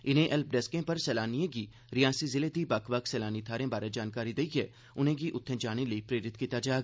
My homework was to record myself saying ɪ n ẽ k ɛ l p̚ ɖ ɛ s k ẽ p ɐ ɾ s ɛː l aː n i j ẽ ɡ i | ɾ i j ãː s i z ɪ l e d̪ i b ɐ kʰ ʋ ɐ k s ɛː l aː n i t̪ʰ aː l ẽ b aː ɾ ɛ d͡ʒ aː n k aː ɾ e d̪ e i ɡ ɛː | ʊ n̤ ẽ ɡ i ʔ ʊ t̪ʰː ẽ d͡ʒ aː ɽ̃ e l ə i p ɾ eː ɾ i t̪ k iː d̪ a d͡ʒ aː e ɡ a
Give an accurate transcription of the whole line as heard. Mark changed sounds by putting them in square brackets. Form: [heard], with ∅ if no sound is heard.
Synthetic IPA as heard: ɪ n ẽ [ʔ] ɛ l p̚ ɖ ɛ s k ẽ p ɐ ɾ s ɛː l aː n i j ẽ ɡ i | ɾ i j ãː s i z ɪ l e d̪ i b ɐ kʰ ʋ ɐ k s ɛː l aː n i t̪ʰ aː [ɾ] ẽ b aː ɾ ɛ d͡ʒ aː n k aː ɾ [i] d̪ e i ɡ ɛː | ʊ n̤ ẽ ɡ i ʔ ʊ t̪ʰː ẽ d͡ʒ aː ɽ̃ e l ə i p ɾ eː ɾ [ɪ] t̪ k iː [t̪] a d͡ʒ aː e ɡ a